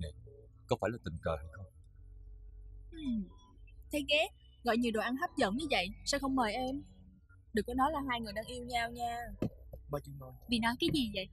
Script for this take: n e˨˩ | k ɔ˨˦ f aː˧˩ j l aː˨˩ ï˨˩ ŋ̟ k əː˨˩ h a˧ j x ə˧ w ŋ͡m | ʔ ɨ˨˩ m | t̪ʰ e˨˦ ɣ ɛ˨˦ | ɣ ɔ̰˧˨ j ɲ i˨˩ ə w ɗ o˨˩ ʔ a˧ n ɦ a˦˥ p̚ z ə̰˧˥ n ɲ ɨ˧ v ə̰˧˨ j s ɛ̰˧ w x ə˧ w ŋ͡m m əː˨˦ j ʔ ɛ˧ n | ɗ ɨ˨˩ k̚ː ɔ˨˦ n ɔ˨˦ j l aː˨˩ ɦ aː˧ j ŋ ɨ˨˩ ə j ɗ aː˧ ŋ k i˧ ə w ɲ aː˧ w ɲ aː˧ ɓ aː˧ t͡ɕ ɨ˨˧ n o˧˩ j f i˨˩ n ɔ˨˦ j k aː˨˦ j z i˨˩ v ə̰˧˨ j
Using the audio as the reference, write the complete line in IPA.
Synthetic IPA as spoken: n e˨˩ | k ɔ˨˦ f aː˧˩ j l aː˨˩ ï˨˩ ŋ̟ k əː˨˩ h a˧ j x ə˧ w ŋ͡m | ʔ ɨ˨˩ m | t̪ʰ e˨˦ ɣ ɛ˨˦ | ɣ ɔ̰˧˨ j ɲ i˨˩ ə w ɗ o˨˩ ʔ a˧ n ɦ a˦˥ p̚ z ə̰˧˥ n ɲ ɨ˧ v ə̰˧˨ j s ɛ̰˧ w x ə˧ w ŋ͡m m əː˨˩ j ʔ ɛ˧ m | ɗ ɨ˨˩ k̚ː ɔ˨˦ n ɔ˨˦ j l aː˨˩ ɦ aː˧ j ŋ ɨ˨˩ ə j ɗ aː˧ ŋ ʔ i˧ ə w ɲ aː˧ w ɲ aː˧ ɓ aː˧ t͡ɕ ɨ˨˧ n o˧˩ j v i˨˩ n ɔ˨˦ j k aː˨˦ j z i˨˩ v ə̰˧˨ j

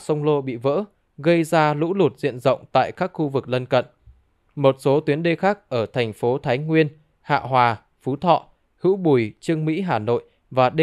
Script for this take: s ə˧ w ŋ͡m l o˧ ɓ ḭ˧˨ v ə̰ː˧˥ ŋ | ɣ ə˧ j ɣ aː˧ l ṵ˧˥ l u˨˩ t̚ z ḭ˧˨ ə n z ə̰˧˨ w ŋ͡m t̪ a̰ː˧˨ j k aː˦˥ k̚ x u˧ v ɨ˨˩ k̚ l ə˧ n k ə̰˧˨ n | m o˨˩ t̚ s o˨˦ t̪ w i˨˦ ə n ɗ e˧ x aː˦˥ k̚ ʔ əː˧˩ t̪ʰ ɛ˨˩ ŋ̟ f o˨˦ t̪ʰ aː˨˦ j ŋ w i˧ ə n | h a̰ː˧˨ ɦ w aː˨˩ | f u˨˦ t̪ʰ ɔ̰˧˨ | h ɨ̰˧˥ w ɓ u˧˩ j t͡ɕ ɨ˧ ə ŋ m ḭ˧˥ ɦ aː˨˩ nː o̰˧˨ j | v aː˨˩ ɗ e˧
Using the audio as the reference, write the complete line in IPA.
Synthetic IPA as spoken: s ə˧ w ŋ͡m l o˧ ɓ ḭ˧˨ v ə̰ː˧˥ | ɣ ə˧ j z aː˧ l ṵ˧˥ l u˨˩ t̚ z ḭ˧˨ ə n z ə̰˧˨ w ŋ͡m t̪ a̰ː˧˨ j k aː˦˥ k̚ x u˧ v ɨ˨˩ k̚ l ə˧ n k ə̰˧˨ n | m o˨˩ t̚ s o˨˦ t̪ w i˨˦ ə n ɗ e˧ x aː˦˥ k̚ ʔ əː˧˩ t̪ʰ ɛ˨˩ ŋ̟ f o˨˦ t̪ʰ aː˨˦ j ŋ w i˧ ə n | h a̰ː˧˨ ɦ w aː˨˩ | f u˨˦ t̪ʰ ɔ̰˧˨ | h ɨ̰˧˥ w ɓ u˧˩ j t͡ɕ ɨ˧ ə ŋ m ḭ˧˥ ɦ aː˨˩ n o̰˧˨ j | v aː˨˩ ɗ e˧

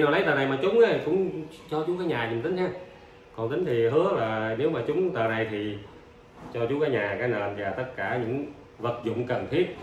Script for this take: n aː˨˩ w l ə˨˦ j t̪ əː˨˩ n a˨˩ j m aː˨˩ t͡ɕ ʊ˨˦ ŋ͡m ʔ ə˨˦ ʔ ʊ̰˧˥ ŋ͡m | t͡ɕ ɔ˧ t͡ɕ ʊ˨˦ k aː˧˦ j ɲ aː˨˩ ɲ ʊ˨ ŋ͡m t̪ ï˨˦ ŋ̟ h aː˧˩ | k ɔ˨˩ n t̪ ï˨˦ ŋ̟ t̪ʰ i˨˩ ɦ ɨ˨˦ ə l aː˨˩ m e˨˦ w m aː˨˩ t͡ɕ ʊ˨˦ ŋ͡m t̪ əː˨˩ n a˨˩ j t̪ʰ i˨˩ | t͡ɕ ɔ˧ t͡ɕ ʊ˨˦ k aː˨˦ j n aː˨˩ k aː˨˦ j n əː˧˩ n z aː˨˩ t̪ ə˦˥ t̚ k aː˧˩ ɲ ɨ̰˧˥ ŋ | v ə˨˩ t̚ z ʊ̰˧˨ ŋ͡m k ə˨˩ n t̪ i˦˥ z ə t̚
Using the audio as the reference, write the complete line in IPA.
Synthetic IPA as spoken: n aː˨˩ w l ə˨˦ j t̪ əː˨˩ n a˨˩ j m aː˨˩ t͡ɕ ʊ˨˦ ŋ͡m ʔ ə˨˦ k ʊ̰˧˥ ŋ͡m | t͡ɕ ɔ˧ t͡ɕ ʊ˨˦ k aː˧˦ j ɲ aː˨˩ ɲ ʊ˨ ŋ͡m t̪ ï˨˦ ŋ̟ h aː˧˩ | k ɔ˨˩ n t̪ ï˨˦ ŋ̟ t̪ʰ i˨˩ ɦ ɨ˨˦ ə l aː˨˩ n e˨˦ w m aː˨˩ t͡ɕ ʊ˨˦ ŋ͡m t̪ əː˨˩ n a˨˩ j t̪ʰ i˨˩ | t͡ɕ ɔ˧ t͡ɕ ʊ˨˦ k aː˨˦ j ɲ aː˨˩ k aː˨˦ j n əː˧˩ n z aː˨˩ t̪ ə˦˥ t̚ k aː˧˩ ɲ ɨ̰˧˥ ŋ | v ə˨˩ t̚ z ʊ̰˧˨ ŋ͡m k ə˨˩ n t̪ʰ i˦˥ ə t̚

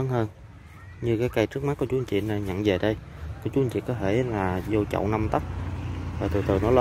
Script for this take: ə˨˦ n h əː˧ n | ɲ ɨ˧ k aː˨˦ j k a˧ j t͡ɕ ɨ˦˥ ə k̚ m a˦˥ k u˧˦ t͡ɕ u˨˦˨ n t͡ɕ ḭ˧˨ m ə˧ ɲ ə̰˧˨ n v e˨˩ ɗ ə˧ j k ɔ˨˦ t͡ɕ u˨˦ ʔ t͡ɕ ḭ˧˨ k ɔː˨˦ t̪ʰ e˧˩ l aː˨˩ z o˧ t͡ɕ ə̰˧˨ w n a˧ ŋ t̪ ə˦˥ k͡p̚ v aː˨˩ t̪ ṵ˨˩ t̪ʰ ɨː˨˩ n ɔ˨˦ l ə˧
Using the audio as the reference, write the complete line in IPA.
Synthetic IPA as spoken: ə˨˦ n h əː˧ n | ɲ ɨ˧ k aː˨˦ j k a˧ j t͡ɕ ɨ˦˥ ə k̚ m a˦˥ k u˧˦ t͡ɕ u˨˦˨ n t͡ɕ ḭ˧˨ n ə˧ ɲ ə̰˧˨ n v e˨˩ ɗ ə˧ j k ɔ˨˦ t͡ɕ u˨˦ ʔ t͡ɕ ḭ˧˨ k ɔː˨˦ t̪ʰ e˧˩ l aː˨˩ z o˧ t͡ɕ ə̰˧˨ w n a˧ m t̪ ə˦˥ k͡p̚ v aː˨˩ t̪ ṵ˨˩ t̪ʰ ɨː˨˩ n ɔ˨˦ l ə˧

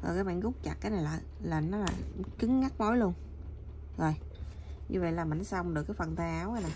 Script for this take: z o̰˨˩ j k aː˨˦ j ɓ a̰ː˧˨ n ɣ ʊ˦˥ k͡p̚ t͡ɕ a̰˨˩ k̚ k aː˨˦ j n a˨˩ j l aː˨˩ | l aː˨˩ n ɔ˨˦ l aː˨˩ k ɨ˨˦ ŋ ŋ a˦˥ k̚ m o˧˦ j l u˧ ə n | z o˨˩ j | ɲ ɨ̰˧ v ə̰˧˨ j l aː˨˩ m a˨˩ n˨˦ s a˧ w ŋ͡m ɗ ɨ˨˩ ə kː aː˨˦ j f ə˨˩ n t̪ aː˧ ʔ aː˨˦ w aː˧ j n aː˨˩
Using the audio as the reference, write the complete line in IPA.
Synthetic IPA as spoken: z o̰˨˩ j k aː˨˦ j ɓ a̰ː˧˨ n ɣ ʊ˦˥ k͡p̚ t͡ɕ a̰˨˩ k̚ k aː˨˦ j n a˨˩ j l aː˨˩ | l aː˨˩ n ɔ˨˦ l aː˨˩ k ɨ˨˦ ŋ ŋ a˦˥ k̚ m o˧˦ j l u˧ ə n | z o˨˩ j | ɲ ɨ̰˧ v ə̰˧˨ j l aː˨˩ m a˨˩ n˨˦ s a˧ w ŋ͡m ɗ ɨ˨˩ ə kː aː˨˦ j f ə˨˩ n t̪ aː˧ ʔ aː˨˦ w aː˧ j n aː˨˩

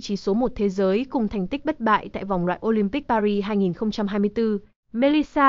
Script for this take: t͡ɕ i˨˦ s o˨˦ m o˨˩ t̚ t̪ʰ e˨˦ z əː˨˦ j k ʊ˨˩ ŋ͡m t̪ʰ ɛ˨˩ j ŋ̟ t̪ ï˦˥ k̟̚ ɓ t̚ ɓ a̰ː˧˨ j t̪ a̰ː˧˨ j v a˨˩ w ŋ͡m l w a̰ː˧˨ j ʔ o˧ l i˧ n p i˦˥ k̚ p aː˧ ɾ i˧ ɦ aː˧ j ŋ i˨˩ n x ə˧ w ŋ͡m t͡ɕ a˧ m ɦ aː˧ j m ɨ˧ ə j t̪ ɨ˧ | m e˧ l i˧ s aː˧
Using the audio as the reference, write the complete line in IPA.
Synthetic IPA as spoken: t͡ɕ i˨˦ s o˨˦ m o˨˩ t̚ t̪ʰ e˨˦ z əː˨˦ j k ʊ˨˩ ŋ͡m t̪ʰ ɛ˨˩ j ŋ̟ t̪ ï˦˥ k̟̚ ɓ t̚ ɓ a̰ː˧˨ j t̪ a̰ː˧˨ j v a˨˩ w ŋ͡m l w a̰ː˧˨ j ʔ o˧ l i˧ m p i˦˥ k̚ p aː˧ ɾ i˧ ɦ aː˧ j ŋ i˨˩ n x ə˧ w ŋ͡m t͡ɕ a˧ m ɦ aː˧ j m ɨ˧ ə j t̪ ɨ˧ | m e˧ l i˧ s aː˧

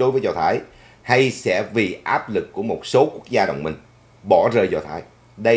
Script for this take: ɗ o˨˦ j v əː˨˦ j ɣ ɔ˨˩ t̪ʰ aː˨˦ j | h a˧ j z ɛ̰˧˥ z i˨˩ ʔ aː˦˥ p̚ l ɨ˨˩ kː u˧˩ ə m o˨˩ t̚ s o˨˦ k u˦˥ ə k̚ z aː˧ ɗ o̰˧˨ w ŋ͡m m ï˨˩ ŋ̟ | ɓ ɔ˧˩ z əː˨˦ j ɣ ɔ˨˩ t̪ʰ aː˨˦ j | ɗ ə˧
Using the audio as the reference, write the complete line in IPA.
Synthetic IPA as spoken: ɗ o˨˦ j v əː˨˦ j z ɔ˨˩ t̪ʰ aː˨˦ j | h a˧ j s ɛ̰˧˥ v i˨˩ ʔ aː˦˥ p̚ l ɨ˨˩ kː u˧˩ ə m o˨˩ t̚ s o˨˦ k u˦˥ ə k̚ z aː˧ ɗ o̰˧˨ w ŋ͡m m ï˨˩ ŋ̟ | ɓ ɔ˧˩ z əː˨˩ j z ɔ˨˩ t̪ʰ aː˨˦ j | ɗ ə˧

